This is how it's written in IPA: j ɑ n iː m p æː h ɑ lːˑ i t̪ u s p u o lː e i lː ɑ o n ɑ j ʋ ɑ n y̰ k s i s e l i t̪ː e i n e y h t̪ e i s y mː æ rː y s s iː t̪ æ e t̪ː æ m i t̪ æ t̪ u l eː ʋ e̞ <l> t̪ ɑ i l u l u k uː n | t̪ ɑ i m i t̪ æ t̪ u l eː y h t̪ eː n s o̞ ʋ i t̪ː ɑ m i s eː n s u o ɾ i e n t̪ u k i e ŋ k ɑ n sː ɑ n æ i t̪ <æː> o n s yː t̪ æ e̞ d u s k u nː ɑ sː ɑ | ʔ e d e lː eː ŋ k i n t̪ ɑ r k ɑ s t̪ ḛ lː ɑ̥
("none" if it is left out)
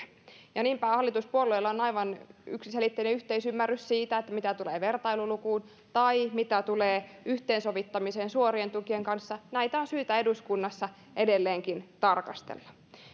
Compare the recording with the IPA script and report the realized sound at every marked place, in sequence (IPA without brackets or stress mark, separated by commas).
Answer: r, æ